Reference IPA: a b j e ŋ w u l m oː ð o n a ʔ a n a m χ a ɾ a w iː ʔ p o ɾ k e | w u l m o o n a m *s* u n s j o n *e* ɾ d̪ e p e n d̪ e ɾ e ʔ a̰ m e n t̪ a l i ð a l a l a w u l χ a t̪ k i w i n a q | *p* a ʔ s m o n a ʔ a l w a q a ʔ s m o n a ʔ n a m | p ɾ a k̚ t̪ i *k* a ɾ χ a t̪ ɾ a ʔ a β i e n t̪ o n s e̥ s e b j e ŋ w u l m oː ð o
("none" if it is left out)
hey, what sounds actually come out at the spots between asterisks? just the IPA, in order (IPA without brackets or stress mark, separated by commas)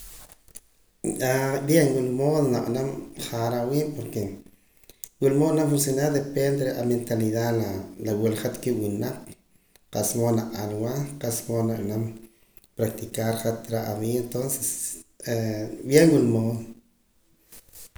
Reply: f, a, q, k